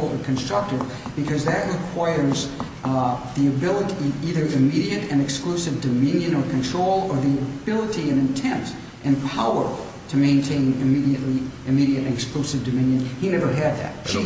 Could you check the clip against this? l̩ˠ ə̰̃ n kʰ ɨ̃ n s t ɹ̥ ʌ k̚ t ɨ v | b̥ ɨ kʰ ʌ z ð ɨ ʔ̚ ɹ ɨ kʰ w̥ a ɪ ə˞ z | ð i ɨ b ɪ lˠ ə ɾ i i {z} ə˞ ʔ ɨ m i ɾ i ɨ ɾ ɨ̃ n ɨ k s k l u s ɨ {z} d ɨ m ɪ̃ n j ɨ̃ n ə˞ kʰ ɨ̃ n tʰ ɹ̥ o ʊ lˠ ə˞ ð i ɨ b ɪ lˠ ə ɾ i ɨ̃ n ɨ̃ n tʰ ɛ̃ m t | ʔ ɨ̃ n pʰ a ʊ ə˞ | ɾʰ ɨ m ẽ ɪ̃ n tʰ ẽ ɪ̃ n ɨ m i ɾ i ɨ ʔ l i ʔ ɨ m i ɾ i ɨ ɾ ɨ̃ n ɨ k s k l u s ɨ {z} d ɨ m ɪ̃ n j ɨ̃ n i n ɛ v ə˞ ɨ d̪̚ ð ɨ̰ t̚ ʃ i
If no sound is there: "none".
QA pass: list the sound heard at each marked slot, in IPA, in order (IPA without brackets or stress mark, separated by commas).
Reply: ð, v, v